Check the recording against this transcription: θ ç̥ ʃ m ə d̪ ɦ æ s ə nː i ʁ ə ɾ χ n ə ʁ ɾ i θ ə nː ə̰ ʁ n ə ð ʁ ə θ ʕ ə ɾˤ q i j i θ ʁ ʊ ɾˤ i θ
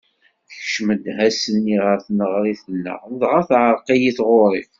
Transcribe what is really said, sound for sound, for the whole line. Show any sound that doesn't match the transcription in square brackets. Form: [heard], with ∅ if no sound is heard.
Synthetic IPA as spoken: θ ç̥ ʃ m ə d̪ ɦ æ s ə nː i ʁ ə ɾ [θ] n ə ʁ ɾ i θ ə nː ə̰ ʁ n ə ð ʁ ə θ ʕ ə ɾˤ q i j i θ ʁ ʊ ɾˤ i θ